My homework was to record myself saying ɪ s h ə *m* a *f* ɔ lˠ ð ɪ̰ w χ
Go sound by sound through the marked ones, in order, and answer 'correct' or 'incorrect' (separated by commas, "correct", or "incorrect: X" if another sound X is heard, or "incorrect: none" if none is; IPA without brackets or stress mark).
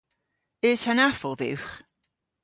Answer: incorrect: n, correct